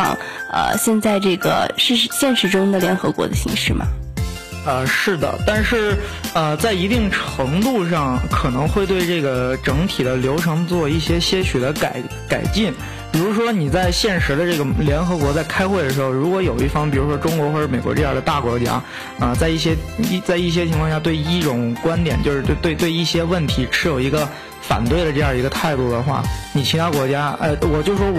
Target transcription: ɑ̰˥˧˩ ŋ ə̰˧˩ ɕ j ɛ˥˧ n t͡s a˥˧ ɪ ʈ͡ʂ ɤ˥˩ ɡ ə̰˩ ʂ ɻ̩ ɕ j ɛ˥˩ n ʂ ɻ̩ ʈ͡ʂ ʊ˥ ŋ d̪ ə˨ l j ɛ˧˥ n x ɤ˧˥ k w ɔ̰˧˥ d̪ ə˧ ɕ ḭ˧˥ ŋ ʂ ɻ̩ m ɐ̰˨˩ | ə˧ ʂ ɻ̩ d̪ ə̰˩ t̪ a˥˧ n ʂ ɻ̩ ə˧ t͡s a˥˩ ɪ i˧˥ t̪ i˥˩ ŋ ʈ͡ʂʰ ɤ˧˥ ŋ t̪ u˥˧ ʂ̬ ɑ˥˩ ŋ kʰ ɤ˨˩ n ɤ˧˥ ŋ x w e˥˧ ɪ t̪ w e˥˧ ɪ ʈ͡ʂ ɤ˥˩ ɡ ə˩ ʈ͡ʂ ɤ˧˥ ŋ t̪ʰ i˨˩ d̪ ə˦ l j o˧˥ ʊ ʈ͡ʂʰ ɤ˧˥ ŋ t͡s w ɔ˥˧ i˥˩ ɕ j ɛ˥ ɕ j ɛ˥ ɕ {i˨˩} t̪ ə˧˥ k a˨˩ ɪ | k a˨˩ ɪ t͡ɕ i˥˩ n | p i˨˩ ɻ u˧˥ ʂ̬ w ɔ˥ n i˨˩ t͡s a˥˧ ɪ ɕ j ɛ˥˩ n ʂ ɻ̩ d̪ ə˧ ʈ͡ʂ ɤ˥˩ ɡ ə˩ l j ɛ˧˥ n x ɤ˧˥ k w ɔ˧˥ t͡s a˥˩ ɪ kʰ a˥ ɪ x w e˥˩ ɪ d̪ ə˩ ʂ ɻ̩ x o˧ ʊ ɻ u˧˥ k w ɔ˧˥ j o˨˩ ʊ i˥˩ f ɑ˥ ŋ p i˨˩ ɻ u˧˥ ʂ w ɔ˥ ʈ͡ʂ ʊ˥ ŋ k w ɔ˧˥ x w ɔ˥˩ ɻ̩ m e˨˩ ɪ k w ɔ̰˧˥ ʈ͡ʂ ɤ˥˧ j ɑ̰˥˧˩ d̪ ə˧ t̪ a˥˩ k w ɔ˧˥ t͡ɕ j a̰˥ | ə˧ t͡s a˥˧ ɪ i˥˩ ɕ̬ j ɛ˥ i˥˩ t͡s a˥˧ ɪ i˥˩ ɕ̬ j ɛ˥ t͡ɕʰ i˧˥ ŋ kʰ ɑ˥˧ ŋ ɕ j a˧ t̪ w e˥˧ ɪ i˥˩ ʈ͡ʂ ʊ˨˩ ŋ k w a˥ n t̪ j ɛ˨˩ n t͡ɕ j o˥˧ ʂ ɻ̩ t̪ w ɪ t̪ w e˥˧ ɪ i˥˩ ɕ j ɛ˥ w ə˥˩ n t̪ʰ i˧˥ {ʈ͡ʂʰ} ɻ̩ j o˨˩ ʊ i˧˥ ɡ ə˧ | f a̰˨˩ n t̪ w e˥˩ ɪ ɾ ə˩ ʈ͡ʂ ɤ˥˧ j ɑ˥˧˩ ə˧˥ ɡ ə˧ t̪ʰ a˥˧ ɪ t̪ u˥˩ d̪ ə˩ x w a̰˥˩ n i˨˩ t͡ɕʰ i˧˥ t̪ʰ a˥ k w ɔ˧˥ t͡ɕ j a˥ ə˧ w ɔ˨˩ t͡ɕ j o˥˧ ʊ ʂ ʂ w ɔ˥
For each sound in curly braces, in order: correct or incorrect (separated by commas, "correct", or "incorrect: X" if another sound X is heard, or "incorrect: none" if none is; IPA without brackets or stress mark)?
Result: incorrect: y˨˩, correct